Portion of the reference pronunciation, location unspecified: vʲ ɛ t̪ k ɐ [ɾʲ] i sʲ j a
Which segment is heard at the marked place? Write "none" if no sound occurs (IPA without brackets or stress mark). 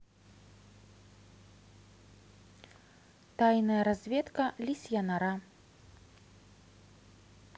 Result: lʲ